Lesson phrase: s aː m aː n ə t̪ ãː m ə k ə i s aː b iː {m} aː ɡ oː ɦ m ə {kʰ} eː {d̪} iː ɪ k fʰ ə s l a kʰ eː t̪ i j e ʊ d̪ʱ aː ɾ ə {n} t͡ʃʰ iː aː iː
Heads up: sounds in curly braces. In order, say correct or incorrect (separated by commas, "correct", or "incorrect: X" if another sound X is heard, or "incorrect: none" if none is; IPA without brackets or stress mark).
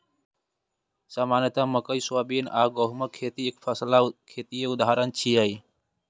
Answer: incorrect: n, correct, incorrect: t̪, correct